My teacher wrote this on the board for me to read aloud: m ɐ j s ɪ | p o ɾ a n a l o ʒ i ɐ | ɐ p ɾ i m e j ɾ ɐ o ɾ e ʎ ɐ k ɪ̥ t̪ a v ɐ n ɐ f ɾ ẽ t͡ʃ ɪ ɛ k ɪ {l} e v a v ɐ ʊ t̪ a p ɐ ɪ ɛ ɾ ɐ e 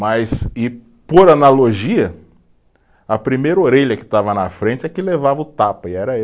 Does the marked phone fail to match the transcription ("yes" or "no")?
no